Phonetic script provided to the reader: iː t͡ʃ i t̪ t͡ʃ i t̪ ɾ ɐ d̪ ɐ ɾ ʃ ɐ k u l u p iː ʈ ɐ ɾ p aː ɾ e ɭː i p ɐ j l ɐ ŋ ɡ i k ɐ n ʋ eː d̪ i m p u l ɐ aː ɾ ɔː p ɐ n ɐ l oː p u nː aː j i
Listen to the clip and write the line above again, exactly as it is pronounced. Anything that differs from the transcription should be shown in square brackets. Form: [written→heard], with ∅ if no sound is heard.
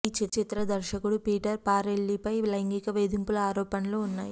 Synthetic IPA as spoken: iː t͡ʃ i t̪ t͡ʃ i t̪ ɾ ɐ d̪ ɐ ɾ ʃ ɐ k u [l→ɽ] u p iː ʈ ɐ ɾ p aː ɾ e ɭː i p ɐ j l ɐ ŋ ɡ i k ɐ [n→∅] ʋ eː d̪ i m p u l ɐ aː ɾ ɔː p ɐ n ɐ l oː [p→∅] u nː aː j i